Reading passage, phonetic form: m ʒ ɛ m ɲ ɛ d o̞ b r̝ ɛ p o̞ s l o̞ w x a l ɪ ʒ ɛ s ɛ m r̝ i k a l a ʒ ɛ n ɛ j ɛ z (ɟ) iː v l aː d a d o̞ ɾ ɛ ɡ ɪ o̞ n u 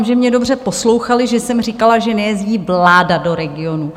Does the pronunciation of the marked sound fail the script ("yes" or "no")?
no